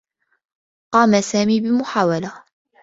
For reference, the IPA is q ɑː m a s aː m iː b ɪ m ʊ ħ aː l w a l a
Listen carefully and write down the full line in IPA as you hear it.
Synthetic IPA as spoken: q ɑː m a s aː m iː b ɪ m ʊ ħ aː w a l a